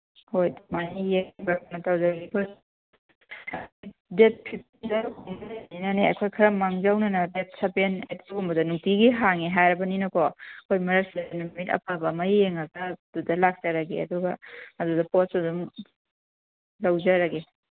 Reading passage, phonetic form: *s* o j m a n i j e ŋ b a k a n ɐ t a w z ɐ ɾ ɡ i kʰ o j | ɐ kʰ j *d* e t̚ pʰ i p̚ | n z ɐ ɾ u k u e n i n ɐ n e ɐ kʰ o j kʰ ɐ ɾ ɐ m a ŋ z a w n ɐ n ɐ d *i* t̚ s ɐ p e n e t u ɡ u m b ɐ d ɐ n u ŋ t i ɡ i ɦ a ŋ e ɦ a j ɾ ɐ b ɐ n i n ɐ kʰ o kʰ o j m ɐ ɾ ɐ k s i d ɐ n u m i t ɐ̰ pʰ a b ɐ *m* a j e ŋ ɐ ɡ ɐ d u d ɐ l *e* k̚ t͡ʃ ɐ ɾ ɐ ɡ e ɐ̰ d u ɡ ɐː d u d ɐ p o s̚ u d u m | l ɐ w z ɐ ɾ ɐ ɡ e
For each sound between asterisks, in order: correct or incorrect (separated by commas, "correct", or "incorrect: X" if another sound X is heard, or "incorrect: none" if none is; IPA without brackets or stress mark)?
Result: incorrect: h, correct, incorrect: e, correct, incorrect: a